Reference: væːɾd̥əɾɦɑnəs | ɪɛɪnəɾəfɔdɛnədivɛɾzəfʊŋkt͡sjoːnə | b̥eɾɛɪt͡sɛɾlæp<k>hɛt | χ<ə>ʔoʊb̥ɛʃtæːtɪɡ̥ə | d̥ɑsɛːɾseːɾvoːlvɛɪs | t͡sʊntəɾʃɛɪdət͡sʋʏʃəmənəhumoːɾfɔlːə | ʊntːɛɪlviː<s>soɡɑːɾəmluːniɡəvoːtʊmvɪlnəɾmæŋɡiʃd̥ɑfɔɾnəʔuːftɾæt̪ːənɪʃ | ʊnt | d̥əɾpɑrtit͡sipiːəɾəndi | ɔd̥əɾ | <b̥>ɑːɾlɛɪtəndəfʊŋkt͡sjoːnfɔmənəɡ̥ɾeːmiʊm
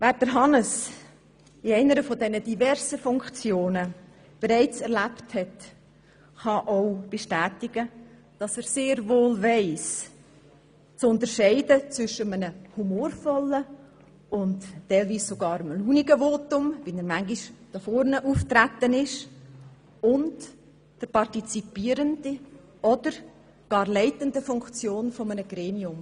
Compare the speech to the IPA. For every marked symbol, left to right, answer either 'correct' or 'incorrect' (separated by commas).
incorrect, incorrect, correct, incorrect